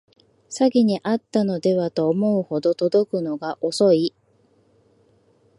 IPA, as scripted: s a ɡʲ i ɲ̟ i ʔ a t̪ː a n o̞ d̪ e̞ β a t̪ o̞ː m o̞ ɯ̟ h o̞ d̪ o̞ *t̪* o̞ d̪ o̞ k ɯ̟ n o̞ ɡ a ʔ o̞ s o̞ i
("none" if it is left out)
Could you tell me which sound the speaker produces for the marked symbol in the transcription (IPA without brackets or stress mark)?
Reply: t̪